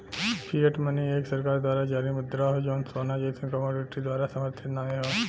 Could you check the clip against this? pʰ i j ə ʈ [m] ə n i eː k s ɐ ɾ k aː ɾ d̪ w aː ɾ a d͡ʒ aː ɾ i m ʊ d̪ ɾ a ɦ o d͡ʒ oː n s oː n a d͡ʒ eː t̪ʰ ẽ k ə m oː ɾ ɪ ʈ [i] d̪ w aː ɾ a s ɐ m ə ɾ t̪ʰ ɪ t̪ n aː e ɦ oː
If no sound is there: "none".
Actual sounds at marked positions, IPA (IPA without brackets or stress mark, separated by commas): m, i